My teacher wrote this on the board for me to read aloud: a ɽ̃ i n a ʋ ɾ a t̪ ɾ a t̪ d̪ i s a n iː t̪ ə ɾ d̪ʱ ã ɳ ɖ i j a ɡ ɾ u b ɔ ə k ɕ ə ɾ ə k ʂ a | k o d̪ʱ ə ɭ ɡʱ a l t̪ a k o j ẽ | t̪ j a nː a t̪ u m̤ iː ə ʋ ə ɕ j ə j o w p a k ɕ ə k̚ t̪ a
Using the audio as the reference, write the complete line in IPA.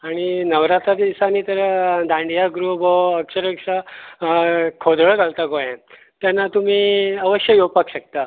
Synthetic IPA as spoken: a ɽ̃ i n ə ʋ ɾ a t̪ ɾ a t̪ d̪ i s a n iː t̪ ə ɾ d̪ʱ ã ɳ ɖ i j a ɡ ɾ u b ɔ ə k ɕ ə ɾ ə k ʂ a | kʰ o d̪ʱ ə ɭ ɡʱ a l t̪ a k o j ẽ | t̪ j a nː a t̪ u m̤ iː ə ʋ ə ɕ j ə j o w p a k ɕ ə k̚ t̪ a